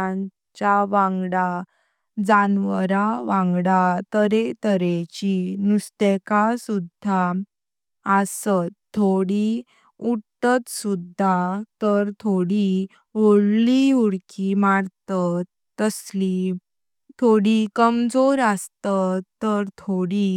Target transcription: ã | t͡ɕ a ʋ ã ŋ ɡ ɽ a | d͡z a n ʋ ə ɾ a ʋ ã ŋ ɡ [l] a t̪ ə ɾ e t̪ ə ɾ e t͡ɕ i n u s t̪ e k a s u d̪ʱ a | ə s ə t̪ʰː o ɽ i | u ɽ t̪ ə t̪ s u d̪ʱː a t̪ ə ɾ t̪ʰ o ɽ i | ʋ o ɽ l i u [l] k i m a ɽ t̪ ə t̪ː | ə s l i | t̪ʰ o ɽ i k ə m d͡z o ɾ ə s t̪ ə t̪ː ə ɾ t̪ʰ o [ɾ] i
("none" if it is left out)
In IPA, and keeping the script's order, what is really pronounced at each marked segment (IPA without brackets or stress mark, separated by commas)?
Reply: ɽ, ɽ, ɽ